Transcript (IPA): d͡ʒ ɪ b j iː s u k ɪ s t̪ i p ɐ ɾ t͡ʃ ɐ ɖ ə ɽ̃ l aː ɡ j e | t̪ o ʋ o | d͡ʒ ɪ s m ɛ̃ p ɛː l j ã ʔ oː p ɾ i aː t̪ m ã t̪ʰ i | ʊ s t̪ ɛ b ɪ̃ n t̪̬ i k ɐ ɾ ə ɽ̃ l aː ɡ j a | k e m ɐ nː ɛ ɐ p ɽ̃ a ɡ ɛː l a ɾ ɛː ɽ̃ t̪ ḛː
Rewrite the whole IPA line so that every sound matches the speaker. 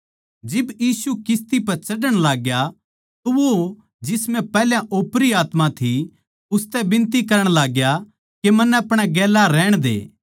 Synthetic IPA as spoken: d͡ʒ ɪ b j iː s u k ɪ s t̪ i p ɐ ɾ t͡ʃ ɐ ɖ ə ɽ̃ l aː ɡ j a | t̪ o ʋ o | d͡ʒ ɪ s m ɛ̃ p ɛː l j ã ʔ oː p ɾ i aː t̪ m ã t̪ʰ i | ʊ s t̪ ɛ b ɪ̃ n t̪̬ i k ɐ ɾ ə ɽ̃ l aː ɡ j a | k e m ɐ nː ɛ ɐ p ɽ̃ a ɡ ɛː l a ɾ ɛː ɽ̃ d̪ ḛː